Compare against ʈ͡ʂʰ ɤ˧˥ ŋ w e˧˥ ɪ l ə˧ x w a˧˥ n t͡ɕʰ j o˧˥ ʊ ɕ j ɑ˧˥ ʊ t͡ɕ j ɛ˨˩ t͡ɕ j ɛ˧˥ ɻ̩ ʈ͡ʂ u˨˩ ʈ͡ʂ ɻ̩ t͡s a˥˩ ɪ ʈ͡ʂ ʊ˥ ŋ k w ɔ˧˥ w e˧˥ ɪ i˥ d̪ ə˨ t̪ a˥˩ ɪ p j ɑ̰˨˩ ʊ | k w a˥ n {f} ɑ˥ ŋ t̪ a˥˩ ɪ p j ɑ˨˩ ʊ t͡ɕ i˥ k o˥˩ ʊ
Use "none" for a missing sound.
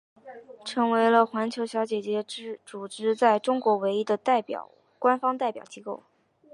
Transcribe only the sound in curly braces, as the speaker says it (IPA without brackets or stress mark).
f